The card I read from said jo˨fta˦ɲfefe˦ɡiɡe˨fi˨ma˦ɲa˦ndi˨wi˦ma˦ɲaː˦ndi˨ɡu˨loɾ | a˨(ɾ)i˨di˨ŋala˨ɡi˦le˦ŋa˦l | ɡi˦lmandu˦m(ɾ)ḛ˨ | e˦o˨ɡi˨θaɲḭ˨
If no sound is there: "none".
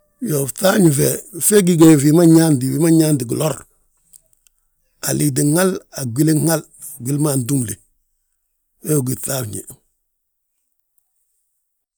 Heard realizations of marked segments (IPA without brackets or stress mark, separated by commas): l, l